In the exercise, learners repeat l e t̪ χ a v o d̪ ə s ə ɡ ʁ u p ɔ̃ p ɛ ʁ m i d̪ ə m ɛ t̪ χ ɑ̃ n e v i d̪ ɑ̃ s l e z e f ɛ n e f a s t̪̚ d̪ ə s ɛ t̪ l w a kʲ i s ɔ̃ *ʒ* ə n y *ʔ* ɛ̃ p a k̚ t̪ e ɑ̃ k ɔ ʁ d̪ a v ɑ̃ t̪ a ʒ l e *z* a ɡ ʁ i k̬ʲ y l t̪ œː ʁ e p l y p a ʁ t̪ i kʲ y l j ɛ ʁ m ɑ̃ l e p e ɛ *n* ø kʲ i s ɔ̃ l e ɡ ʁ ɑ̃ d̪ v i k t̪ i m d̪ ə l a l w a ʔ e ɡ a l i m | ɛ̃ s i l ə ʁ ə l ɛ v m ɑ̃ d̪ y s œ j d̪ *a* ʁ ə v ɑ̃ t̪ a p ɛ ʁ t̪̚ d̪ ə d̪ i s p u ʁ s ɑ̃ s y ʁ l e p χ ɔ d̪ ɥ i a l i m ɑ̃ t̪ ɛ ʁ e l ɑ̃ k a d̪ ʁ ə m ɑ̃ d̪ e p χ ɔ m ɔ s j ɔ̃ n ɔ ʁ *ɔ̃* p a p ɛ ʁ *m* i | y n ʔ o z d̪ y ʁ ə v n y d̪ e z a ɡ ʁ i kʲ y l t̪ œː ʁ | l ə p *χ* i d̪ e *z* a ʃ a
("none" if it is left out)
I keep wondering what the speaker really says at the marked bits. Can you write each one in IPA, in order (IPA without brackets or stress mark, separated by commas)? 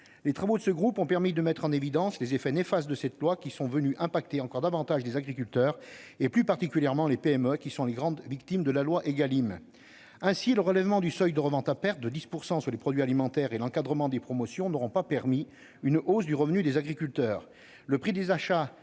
v, ʔ, z, m, ə, ɔ̃, m, χ, z